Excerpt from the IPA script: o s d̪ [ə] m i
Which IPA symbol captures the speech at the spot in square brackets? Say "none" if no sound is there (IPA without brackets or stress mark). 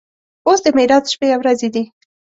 ə